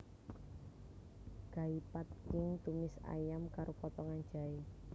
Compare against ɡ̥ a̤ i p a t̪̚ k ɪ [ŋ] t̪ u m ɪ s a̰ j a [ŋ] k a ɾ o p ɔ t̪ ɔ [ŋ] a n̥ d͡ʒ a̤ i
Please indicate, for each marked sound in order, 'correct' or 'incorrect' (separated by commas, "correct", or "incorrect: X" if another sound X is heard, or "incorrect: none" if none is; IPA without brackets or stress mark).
correct, incorrect: m, correct